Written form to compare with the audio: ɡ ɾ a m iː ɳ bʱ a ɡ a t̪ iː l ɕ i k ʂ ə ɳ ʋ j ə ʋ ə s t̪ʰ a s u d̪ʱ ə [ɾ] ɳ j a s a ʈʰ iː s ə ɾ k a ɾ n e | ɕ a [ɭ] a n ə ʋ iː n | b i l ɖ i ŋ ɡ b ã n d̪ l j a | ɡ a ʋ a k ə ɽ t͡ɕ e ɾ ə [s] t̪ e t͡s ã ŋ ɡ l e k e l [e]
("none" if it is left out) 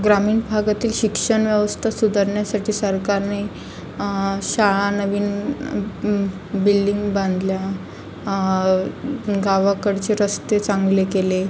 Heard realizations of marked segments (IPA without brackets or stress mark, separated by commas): ɾ, ɭ, s, e